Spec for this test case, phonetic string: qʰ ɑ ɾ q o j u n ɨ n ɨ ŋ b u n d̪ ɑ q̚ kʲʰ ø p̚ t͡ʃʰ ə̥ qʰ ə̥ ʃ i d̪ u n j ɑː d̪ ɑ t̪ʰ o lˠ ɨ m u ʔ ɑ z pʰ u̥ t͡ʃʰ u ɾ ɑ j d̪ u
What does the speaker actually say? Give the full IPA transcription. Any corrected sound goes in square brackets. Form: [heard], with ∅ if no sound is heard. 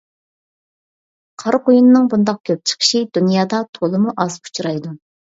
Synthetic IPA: qʰ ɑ ɾ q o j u n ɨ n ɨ ŋ b u n d̪ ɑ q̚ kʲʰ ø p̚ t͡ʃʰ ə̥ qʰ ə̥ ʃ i d̪ u n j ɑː d̪ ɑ t̪ʰ o lˠ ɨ m u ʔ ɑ z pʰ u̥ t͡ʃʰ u ɾ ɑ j d̪ u